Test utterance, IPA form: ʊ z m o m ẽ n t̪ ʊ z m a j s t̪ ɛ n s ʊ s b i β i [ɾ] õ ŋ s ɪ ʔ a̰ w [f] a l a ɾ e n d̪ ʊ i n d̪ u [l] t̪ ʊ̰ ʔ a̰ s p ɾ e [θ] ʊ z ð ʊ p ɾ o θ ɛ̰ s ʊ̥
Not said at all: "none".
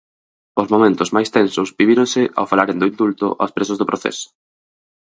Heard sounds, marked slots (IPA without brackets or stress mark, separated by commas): ɾ, f, l, s